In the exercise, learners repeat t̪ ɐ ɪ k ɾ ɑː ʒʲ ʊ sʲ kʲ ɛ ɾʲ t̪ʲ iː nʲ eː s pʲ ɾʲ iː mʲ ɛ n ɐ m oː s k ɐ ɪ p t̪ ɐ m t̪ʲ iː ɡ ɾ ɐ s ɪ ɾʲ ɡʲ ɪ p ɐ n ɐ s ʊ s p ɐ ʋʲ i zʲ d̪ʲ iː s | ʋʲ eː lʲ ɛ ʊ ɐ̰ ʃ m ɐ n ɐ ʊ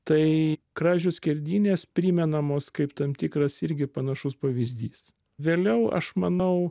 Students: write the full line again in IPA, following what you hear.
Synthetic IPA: t̪ ɐ ɪ k ɾ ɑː ʒʲ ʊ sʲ kʲ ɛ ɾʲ d̪ʲ iː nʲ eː s pʲ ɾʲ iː mʲ ɛ n ɐ m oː s k ɐ ɪ p t̪ ɐ m t̪ʲ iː k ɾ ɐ s ɪ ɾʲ ɡʲ ɪ p ɐ n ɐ ʃ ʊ s p ɐ ʋʲ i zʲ d̪ʲ iː s | ʋʲ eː lʲ ɛ ʊ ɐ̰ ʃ m ɐ n ɐ ʊ